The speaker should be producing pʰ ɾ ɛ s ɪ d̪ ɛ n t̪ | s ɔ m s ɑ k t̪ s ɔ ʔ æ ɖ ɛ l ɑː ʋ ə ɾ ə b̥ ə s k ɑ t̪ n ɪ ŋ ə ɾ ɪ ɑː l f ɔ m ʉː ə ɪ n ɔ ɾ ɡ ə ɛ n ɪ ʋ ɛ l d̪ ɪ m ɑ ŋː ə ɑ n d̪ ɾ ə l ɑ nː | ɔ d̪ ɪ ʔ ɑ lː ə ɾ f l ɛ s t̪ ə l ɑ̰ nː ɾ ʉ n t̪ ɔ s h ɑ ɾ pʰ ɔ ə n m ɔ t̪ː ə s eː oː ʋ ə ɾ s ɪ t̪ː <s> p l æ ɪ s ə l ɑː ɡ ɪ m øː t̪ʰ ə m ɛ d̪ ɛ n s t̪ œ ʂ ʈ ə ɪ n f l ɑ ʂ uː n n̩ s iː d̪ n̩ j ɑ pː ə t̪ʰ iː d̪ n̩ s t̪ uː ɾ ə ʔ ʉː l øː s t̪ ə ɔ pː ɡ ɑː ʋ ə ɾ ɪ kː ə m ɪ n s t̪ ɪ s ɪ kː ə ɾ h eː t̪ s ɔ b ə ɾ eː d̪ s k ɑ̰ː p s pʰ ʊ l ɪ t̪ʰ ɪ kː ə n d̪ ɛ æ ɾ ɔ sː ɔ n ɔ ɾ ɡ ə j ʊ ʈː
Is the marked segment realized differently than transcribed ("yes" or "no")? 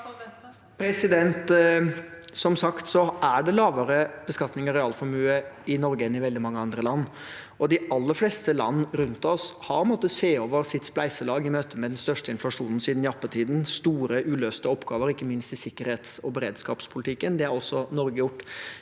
no